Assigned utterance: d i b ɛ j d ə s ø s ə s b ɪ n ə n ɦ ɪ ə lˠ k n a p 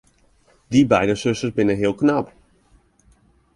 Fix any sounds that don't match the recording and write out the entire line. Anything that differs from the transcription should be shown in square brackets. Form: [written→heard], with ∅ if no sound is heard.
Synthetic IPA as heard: d i b ɛ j d ə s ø s ə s b ɪ n ə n ɦ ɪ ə lˠ k n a p